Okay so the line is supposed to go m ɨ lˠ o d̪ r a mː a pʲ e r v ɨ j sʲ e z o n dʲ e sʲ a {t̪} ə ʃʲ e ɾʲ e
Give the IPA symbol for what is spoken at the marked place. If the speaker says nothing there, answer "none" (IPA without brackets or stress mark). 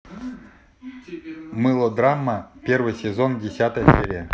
t̪